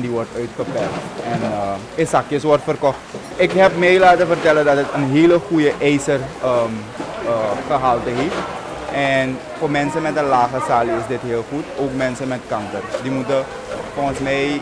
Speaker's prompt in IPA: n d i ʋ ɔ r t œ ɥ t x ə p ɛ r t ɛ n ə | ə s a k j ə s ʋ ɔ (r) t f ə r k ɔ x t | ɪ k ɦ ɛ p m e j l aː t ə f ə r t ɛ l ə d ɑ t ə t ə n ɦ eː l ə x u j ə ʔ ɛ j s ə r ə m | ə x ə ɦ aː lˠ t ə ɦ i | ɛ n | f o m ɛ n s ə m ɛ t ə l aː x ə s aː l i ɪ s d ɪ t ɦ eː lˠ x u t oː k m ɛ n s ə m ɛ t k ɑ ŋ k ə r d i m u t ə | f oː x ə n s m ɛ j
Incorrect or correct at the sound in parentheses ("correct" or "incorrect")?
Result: correct